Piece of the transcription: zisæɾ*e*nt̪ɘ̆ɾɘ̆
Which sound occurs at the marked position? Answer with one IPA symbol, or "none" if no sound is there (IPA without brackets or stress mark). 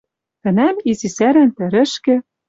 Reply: æ